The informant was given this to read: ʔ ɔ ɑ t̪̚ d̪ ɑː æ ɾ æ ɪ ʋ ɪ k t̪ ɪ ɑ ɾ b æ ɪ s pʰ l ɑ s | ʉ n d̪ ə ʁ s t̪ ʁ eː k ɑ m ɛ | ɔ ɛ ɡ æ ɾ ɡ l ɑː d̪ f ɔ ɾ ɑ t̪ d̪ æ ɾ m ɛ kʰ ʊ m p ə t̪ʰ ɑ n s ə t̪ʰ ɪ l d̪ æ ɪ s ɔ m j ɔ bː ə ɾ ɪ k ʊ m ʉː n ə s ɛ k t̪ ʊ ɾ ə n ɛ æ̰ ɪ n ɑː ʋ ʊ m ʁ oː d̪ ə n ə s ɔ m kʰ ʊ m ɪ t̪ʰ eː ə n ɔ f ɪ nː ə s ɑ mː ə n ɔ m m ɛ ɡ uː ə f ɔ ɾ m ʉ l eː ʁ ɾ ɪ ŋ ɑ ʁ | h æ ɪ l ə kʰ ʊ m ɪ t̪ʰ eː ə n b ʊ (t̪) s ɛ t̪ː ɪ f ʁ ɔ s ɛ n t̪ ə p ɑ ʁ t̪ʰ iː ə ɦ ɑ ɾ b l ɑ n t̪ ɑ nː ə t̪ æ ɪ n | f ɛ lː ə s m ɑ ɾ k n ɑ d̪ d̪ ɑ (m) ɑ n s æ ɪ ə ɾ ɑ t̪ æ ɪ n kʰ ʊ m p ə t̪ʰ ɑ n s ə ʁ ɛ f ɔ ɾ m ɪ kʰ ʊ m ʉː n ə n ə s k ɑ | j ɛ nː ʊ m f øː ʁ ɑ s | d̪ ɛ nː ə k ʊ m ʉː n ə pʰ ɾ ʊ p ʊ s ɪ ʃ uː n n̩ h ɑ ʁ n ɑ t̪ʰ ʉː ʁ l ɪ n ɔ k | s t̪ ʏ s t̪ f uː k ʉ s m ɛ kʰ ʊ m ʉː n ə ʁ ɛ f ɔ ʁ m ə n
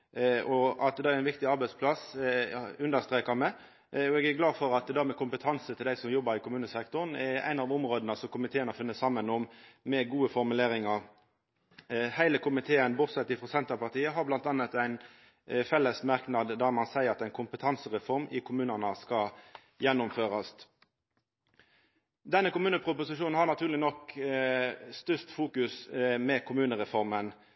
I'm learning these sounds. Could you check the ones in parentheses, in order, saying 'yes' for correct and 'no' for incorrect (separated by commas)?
yes, yes